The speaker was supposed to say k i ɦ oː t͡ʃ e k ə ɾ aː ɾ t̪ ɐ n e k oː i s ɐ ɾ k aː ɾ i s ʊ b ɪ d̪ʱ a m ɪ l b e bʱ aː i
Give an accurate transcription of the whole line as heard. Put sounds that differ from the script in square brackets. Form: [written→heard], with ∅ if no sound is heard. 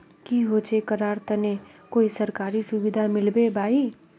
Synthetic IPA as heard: k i ɦ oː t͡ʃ e k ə ɾ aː ɾ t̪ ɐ n e k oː i s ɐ ɾ k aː ɾ i s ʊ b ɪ d̪ʱ a m ɪ l b e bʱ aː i

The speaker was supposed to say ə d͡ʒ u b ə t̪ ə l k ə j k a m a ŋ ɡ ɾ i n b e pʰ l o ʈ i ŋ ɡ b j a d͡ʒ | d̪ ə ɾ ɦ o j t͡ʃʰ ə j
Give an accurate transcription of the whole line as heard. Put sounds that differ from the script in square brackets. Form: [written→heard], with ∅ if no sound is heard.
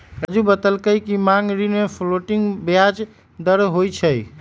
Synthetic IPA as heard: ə d͡ʒ u b ə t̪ ə l k ə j k [a→i] m a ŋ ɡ ɾ i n [b→m] e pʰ l o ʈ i ŋ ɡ b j a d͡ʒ | d̪ ə ɾ ɦ o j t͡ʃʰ ə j

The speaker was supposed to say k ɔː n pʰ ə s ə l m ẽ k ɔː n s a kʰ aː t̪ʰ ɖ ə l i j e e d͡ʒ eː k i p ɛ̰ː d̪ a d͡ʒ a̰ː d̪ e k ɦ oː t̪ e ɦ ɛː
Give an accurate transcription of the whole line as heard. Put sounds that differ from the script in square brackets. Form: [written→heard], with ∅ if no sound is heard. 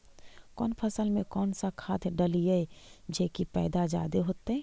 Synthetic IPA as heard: k ɔː n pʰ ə s ə l m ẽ k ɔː n s a kʰ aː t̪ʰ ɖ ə l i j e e d͡ʒ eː k i p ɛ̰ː d̪ a d͡ʒ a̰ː d̪ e [k→∅] ɦ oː t̪ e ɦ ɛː

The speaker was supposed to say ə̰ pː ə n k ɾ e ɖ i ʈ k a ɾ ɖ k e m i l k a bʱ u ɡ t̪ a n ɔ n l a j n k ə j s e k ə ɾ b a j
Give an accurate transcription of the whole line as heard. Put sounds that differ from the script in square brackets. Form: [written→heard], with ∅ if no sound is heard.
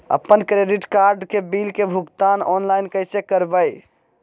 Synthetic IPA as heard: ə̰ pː ə n k ɾ e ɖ i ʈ k a ɾ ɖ k e [m→b] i l k [a→e] bʱ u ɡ t̪ a n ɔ n l a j n k ə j s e k ə ɾ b [a→ə] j

